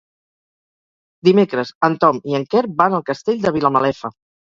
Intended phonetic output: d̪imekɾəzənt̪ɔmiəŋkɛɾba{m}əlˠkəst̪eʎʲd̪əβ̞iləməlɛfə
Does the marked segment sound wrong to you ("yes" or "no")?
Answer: yes